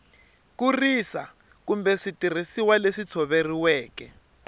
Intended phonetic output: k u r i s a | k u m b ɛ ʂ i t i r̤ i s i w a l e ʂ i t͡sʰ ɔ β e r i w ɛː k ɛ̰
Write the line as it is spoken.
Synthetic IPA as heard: k u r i s a | k u m b ɛ ʂ i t i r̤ i s i w a l e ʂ i t͡sʰ ɔ β e r i w ɛː k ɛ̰